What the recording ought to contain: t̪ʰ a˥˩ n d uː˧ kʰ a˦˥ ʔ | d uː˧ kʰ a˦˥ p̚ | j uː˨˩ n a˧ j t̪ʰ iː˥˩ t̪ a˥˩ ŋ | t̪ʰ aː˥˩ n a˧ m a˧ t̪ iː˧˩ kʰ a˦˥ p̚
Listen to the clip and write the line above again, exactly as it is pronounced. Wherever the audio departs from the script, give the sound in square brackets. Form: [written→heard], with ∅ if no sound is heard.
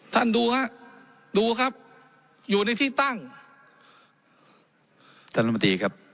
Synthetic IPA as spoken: t̪ʰ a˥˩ n d uː˧ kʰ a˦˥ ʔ | d uː˧ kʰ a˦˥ p̚ | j uː˨˩ n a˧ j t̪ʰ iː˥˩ t̪ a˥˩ ŋ | t̪ʰ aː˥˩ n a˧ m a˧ t̪ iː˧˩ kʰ a˦˥ p̚